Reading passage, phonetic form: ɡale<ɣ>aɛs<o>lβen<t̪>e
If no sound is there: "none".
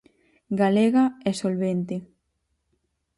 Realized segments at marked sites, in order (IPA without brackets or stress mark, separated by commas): ɣ, o, t̪